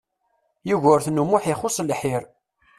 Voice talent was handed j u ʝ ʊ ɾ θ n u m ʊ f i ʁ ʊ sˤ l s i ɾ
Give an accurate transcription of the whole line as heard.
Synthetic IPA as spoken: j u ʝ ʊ ɾ θ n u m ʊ ħ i χ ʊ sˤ l ħ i ɾ